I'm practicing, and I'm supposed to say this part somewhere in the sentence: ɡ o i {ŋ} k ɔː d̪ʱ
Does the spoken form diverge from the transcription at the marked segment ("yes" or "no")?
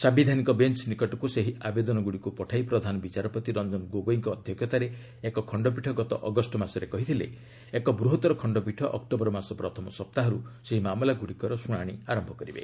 no